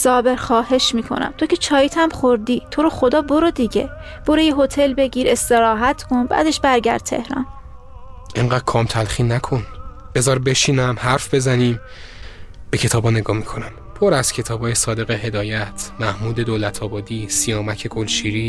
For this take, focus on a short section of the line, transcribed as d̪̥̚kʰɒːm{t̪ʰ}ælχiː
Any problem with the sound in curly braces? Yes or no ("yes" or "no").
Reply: no